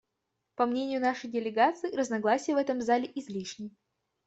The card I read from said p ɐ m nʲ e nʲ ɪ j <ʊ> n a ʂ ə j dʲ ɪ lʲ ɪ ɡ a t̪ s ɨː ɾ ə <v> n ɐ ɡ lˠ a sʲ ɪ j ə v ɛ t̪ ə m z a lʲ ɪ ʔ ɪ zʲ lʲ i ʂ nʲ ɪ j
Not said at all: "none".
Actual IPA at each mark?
ʊ, z

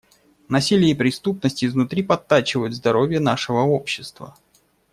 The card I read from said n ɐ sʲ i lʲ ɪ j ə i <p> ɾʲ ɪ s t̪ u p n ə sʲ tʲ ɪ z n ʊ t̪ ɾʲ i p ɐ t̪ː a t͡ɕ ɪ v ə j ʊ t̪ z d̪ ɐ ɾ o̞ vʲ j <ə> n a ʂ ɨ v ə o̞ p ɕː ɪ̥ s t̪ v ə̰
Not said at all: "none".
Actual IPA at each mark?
p, ə

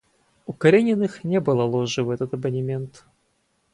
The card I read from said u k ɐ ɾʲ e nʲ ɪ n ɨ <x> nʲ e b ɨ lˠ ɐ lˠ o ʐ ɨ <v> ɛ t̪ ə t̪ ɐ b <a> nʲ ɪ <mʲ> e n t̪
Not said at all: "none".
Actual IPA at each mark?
x, v, ə, mʲ

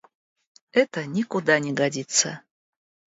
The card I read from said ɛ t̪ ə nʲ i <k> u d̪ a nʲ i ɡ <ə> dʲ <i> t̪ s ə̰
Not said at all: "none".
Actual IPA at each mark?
k, a, i

